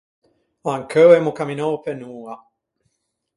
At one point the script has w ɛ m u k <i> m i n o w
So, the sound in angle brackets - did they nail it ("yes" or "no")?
no